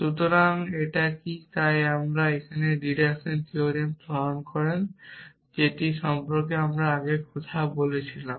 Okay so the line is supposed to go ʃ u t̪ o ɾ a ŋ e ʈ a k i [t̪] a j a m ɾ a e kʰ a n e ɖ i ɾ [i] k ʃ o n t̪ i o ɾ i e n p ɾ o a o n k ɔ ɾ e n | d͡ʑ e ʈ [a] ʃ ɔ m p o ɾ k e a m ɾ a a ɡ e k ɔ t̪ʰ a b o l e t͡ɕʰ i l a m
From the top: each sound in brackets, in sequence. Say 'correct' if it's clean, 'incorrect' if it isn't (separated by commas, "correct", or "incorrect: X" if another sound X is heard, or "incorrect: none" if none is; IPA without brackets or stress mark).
correct, incorrect: e, incorrect: i